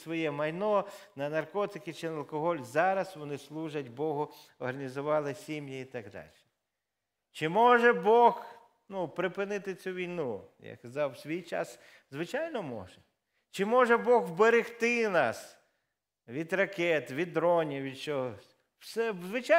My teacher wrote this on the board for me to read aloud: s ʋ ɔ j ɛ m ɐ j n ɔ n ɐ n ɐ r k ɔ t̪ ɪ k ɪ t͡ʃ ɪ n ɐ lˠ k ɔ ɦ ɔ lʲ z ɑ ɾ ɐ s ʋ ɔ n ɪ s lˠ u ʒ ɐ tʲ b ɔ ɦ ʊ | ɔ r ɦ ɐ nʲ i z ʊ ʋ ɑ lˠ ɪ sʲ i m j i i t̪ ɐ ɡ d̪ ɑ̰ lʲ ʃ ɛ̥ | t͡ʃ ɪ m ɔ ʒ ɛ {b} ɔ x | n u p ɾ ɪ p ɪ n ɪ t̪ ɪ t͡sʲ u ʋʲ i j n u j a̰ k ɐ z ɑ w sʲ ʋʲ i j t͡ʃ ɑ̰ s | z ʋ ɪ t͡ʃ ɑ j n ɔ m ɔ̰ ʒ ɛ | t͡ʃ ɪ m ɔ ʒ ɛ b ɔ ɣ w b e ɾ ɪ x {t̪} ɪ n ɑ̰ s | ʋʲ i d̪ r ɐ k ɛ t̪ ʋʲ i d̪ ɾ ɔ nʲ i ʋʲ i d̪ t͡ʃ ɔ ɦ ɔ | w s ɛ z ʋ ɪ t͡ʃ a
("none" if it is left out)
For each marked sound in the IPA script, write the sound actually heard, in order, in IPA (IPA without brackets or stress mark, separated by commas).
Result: b, t̪